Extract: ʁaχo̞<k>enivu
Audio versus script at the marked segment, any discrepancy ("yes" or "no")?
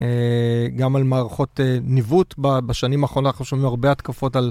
yes